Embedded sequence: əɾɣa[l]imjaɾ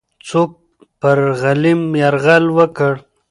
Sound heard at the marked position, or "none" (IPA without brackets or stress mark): l